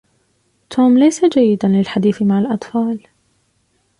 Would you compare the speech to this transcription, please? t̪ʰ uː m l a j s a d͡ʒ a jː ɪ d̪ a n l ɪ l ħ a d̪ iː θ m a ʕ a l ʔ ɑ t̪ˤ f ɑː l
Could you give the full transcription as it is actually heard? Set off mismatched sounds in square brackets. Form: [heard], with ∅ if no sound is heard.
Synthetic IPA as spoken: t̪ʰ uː m l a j s a d͡ʒ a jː ɪ d̪ a n l ɪ l ħ a d̪ iː θ m a ʕ a l ʔ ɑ t̪ˤ f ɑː l